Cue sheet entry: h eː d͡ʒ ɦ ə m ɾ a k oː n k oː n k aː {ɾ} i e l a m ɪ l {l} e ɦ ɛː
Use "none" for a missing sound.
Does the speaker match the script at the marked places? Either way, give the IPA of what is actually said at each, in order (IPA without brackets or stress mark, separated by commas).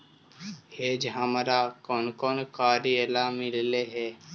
ɾ, l